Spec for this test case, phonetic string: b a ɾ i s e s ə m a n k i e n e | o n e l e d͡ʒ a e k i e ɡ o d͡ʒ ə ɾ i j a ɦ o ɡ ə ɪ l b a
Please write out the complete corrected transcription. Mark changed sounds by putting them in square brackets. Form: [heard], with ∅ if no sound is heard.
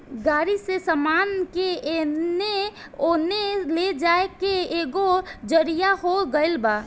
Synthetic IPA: [ɡ] a ɾ i s e s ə m a n k [e] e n e | o n e l e d͡ʒ a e k [e] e ɡ o d͡ʒ ə ɾ i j a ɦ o ɡ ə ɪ l b a